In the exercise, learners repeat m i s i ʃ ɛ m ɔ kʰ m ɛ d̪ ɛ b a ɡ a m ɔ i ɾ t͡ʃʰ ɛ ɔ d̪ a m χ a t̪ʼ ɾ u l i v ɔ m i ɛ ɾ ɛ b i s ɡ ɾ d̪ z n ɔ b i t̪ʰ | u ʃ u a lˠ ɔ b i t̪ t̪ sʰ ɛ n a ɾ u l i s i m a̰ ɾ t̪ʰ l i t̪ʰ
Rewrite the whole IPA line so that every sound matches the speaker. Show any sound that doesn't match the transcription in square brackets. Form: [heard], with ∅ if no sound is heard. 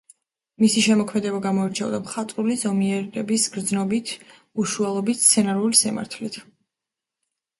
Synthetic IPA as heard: m i s i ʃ ɛ m ɔ kʰ m ɛ d̪ ɛ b a ɡ a m ɔ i ɾ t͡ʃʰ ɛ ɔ d̪ a m χ a t̪ʼ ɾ u l i [z] ɔ m i ɛ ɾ ɛ b i s ɡ ɾ d̪ z n ɔ b i t̪ʰ | u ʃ u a lˠ ɔ b i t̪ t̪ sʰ ɛ n a ɾ u l i s i m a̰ ɾ t̪ʰ l i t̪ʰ